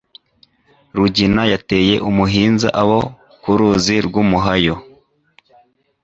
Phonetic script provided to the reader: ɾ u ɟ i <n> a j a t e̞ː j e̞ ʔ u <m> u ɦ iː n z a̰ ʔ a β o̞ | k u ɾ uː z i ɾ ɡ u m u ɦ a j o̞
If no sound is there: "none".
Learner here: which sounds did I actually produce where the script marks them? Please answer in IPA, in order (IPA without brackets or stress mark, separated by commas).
n, m